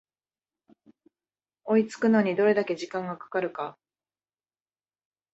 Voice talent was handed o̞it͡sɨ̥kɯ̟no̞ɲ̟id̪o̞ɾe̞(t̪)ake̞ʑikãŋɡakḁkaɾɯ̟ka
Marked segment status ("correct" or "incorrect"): incorrect